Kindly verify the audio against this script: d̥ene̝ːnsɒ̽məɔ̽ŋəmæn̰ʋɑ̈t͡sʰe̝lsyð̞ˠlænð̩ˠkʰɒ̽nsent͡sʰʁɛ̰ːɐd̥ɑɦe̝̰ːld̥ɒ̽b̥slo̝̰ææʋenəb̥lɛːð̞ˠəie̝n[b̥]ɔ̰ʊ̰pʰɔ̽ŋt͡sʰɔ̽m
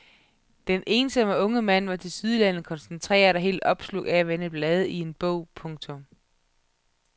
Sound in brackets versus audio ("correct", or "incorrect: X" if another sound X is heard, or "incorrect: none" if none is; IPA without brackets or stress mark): correct